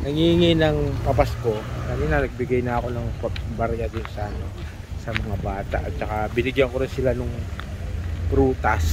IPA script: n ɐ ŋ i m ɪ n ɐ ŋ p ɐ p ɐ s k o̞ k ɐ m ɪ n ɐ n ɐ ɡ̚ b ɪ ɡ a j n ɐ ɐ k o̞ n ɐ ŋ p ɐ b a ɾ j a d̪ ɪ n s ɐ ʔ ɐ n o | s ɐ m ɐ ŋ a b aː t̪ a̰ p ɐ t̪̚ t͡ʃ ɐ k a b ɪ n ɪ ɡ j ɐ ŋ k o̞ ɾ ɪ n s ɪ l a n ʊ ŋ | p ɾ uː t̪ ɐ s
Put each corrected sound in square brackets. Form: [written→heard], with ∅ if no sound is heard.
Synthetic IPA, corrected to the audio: n ɐ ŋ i [m→ŋ] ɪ n ɐ ŋ p ɐ p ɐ s k o̞ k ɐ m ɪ n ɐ n ɐ ɡ̚ b ɪ ɡ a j n ɐ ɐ k o̞ n ɐ ŋ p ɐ b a ɾ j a d̪ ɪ n s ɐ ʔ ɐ n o | s ɐ m ɐ ŋ a b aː t̪ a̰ [p→ʔ] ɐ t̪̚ t͡ʃ ɐ k a b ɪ n ɪ ɡ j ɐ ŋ k o̞ ɾ ɪ n s ɪ l a n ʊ ŋ | p ɾ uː t̪ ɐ s